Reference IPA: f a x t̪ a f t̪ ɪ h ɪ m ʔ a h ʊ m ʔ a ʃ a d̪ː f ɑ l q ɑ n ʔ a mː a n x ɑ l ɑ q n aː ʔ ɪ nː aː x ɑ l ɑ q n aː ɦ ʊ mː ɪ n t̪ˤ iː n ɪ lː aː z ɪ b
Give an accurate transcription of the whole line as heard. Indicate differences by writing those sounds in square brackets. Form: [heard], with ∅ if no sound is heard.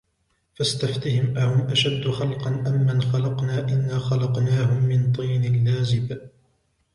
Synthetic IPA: f a [s] t̪ a f t̪ ɪ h ɪ m ʔ a h ʊ m ʔ a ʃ a d̪ː [x] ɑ l q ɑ n ʔ a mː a n x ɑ l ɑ q n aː ʔ ɪ nː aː x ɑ l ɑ q n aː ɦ ʊ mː ɪ n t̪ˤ iː n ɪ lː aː z ɪ b